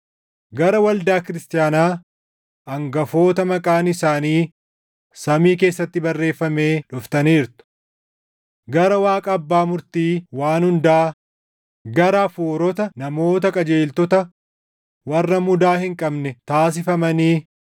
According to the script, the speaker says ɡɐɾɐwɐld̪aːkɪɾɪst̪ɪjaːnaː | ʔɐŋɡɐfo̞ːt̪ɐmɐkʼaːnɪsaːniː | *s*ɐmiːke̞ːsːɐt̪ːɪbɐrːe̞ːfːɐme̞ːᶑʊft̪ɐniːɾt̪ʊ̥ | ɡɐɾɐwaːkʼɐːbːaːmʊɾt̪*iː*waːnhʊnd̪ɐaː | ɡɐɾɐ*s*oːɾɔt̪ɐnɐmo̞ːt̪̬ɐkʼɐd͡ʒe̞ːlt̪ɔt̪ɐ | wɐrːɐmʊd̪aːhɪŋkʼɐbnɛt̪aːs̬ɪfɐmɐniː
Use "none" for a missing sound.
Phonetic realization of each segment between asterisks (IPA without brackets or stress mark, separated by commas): s, iː, f